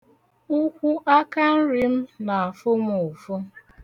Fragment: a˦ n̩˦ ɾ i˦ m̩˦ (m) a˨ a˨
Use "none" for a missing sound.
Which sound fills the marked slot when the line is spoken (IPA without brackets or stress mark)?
n